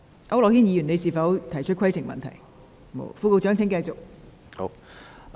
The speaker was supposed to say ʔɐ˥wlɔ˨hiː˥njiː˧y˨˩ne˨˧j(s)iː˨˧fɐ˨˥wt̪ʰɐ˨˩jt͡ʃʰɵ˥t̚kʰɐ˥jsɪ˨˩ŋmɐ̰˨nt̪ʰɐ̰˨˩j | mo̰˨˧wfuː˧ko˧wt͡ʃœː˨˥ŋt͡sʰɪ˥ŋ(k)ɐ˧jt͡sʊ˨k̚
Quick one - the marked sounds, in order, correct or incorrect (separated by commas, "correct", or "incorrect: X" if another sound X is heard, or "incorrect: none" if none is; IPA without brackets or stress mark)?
correct, correct